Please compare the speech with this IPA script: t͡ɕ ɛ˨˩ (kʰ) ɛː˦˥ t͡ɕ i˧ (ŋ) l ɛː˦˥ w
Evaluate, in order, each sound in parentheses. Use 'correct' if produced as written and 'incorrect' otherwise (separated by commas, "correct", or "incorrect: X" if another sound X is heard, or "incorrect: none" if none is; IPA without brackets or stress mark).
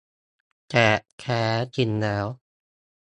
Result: correct, incorrect: n